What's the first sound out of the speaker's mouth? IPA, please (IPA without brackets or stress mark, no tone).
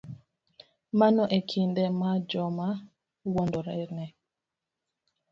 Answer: m